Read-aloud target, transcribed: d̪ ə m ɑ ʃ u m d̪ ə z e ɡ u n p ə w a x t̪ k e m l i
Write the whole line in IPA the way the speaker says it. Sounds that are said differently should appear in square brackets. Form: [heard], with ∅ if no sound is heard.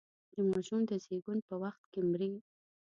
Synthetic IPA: d̪ ə m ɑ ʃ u m d̪ ə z e ɡ u n p ə w a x t̪ k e m [ɾ] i